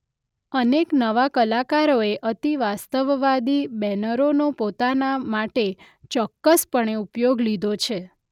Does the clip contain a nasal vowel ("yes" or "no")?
no